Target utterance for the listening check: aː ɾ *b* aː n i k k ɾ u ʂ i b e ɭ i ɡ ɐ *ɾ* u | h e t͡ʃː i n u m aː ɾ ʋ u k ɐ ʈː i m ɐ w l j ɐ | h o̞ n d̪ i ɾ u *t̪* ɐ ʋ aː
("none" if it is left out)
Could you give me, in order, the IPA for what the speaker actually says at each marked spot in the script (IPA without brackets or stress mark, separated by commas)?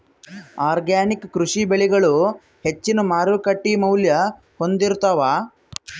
ɡ, ɭ, t̪